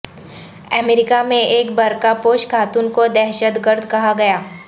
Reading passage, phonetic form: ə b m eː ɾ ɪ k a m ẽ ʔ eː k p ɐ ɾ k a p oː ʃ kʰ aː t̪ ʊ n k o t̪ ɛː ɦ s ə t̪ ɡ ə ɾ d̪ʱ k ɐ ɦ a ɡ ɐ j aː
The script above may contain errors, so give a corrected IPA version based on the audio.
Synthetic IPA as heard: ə m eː ɾ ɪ k a m ẽ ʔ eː k b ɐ ɾ k a p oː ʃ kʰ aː t̪ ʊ n k o d̪ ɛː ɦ ʃ ə t̪ ɡ ə ɾ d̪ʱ k ɐ ɦ a ɡ ɐ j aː